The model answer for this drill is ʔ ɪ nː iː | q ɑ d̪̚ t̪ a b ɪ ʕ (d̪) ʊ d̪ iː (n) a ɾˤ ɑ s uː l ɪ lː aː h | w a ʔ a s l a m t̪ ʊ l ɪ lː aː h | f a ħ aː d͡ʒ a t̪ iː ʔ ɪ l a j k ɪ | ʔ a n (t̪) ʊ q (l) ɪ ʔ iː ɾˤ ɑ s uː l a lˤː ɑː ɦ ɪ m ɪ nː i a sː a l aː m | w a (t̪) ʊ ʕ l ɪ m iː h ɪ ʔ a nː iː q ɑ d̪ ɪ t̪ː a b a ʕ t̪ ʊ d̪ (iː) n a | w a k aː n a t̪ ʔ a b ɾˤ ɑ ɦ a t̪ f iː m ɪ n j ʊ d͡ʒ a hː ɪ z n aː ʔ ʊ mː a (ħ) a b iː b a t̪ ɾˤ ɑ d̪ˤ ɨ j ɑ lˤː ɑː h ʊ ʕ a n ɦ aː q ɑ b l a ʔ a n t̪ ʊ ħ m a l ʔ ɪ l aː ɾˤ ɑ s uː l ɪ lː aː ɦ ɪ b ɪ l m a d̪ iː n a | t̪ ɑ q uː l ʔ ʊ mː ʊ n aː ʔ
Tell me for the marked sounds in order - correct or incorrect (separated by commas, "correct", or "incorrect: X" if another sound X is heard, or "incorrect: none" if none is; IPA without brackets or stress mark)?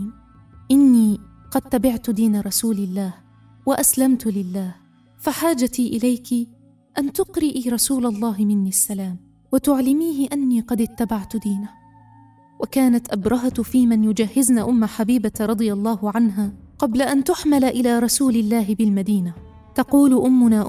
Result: incorrect: t̪, correct, correct, incorrect: ɾ, correct, correct, correct